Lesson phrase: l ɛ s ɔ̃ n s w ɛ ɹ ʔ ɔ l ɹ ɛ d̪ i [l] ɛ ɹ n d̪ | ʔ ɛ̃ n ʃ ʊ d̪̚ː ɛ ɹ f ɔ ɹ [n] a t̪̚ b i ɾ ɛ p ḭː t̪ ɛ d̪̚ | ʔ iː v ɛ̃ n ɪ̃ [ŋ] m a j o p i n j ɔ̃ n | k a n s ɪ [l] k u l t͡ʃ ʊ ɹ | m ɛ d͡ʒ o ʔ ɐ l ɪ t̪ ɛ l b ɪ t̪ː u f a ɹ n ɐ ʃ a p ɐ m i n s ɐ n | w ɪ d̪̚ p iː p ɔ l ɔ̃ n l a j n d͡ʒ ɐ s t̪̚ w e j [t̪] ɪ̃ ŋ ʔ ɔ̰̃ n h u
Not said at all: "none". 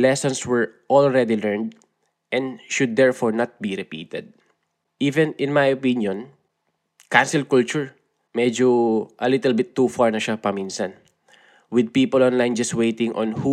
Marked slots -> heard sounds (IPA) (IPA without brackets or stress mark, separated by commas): l, n, n, l, t̪